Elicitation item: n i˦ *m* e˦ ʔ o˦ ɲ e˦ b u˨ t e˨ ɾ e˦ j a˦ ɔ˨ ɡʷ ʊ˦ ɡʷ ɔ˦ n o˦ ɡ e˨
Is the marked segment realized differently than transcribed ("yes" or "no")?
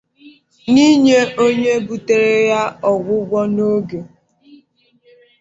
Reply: yes